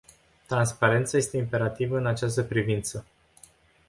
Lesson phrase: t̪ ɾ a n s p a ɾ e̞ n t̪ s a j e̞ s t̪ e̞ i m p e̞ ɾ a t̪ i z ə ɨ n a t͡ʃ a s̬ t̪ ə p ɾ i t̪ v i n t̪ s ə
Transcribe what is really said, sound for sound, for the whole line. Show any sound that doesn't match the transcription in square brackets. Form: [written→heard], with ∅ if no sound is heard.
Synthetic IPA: t̪ ɾ a n s p a ɾ e̞ n t̪ s a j e̞ s t̪ e̞ i m p e̞ ɾ a t̪ i [z→v] ə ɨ n a t͡ʃ a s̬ t̪ ə p ɾ i [t̪→∅] v i n t̪ s ə